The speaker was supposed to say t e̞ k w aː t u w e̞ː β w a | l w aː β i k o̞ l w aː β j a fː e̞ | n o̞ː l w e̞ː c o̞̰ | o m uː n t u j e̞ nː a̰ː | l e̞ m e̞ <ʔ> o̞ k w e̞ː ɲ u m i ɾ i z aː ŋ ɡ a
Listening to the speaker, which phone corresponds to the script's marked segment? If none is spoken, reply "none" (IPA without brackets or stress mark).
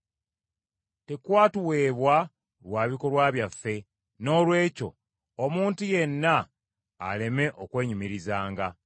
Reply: ʔ